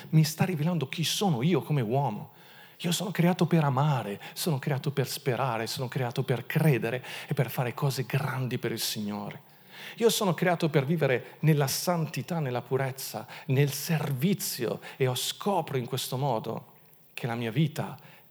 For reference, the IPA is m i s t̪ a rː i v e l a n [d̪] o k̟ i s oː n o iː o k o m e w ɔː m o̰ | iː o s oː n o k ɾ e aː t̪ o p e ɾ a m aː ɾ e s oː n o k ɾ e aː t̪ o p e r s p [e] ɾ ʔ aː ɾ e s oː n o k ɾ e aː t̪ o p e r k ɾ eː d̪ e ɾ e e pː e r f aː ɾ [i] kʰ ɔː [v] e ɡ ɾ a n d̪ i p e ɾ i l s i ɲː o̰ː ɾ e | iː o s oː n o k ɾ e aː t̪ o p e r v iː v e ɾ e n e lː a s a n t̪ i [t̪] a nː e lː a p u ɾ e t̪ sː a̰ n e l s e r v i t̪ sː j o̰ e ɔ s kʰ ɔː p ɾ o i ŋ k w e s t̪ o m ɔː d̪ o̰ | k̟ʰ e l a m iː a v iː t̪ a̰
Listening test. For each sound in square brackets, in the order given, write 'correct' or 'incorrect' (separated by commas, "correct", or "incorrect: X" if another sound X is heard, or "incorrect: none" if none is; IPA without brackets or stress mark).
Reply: correct, correct, incorrect: e, incorrect: z, correct